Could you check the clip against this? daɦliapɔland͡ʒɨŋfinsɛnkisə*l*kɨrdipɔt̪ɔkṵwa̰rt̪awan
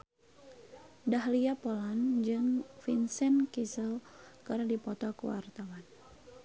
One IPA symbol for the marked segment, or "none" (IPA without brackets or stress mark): l